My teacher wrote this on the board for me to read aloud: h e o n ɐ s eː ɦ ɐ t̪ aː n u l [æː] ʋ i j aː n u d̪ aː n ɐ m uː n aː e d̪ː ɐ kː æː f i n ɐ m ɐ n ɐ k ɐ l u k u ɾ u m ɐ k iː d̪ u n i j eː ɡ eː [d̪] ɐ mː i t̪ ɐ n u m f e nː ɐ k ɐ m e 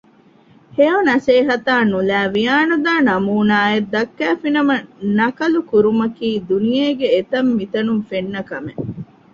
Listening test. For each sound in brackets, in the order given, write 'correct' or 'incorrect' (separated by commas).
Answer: correct, incorrect